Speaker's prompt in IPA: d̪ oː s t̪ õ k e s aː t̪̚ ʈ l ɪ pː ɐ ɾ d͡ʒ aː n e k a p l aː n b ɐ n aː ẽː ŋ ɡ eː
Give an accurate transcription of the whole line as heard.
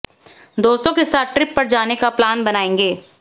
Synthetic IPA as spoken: d̪ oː s t̪ õ k e s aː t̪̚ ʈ ɾ ɪ pː ɐ ɾ d͡ʒ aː n e k a p l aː n b ɐ n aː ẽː ŋ ɡ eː